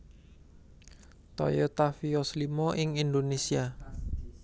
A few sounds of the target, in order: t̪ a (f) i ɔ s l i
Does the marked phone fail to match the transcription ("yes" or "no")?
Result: no